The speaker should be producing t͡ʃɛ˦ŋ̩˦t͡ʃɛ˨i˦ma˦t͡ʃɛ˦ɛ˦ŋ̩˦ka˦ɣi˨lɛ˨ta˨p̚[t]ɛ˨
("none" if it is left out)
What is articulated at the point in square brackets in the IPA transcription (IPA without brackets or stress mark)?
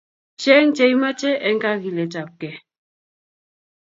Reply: k